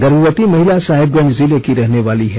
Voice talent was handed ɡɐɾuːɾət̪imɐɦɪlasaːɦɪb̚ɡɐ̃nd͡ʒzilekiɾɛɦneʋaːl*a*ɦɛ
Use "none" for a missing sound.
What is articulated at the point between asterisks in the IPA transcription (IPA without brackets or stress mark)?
i